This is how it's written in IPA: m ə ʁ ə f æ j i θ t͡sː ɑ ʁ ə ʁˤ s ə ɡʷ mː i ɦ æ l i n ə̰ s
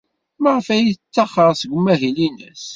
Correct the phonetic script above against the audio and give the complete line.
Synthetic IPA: m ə ʁ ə f æ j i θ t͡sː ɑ χ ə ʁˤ s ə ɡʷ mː æ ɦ i l i n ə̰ s

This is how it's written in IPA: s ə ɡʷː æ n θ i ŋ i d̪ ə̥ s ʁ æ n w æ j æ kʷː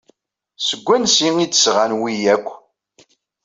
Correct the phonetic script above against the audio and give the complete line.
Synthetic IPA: s ə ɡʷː æ n s i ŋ i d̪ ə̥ s ʁ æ n w i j æ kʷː

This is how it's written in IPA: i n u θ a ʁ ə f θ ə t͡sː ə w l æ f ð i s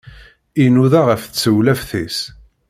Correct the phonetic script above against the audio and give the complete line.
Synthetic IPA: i n u ð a ʁ ə f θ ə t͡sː ə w l æ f θ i s

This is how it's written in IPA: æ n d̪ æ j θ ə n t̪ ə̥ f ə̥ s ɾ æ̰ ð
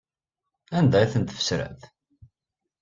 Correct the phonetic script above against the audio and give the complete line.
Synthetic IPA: æ n d̪ æ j θ ə n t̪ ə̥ f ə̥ s ɾ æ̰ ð

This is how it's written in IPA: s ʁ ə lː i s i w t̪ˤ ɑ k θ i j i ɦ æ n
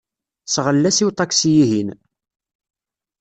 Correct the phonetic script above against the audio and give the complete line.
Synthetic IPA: s ʁ ə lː æ s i w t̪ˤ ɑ k s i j i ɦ i n

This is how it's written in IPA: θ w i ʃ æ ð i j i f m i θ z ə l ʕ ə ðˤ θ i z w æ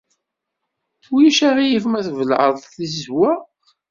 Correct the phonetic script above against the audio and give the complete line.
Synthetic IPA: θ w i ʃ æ ʁ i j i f m æ θ v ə l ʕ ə ðˤ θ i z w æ

